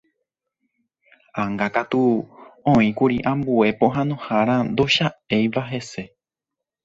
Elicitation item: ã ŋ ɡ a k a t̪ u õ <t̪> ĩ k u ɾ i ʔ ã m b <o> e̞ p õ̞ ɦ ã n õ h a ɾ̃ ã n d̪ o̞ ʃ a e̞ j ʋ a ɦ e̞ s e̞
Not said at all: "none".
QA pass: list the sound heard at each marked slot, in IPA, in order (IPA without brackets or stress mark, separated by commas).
none, u